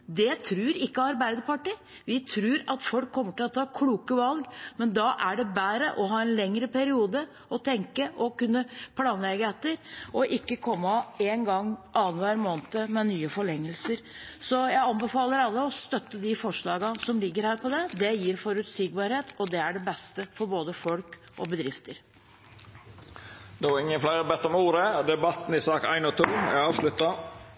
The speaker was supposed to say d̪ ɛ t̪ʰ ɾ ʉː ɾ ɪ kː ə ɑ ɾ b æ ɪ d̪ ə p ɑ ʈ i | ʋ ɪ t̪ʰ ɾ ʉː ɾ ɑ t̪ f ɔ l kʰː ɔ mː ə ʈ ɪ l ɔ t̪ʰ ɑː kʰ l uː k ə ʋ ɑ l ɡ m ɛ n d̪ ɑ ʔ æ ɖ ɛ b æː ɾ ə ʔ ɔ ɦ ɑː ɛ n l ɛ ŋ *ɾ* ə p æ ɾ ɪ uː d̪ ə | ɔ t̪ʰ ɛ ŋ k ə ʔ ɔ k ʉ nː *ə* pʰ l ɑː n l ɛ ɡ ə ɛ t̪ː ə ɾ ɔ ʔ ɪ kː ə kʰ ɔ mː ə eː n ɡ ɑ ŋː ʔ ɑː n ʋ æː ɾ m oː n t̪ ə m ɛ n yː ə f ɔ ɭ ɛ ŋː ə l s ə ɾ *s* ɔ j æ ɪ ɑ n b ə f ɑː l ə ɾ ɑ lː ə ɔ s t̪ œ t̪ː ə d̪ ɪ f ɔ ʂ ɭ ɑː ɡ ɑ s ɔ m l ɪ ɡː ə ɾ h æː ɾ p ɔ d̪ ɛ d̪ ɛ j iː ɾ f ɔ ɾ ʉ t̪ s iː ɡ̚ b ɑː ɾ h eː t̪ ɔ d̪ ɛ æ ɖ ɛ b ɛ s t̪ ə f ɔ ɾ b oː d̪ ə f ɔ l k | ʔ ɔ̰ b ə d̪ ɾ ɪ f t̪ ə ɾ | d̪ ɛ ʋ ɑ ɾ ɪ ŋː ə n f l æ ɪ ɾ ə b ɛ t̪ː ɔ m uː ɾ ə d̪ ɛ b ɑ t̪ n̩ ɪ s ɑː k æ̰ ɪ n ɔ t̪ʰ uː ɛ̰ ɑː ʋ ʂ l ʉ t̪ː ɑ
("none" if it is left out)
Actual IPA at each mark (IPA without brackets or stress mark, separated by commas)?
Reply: ɾ, ə, s